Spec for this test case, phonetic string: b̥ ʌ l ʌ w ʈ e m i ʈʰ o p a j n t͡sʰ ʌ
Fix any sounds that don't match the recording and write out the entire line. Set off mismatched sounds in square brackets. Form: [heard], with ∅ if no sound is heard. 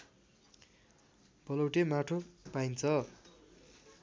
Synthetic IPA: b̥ ʌ l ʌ w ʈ e m [a] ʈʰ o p a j n t͡sʰ ʌ